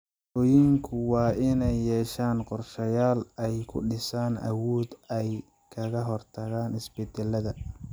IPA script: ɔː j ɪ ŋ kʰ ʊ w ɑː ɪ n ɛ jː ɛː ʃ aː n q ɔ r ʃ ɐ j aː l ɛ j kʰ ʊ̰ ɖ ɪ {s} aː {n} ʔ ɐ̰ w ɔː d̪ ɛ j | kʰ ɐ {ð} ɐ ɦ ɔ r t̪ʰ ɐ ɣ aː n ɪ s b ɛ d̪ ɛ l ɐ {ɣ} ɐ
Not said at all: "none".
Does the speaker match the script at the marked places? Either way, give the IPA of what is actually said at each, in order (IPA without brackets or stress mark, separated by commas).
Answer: s, n, ɣ, ð